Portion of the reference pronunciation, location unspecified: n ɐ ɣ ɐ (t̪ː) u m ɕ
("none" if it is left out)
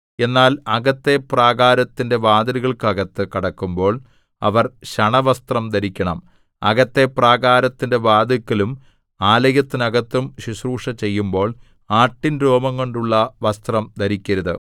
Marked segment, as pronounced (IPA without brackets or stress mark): t̪ː